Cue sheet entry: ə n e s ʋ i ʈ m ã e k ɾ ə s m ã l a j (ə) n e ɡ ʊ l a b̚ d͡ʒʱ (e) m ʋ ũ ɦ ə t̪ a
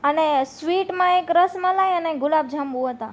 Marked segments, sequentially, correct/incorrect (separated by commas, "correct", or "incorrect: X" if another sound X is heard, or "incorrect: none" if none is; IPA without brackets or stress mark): correct, incorrect: a